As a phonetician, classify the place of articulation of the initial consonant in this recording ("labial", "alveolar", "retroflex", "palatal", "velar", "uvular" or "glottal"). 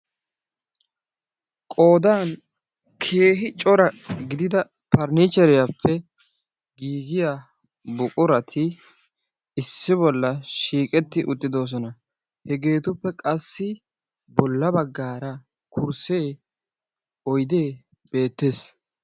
velar